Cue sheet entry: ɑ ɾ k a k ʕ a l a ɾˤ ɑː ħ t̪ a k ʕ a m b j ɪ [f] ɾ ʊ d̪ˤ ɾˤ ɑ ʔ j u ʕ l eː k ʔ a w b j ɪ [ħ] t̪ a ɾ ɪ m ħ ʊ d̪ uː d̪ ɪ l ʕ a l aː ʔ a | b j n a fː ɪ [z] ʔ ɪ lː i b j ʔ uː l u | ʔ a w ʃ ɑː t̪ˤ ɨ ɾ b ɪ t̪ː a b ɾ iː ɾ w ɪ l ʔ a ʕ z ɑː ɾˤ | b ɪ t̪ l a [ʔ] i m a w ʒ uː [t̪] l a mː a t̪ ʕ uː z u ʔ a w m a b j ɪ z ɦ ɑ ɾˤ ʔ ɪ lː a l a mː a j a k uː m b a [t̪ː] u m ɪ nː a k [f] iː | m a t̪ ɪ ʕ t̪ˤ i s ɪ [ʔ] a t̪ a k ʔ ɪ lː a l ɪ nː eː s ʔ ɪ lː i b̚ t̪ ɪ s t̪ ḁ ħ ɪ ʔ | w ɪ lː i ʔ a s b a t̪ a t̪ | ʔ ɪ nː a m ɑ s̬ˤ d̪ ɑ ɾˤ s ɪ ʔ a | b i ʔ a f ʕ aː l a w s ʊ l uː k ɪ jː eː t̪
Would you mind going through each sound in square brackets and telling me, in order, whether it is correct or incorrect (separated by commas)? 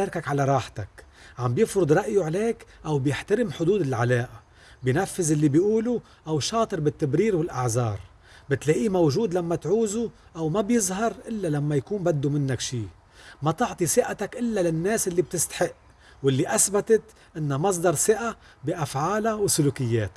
correct, correct, correct, correct, incorrect, incorrect, incorrect, correct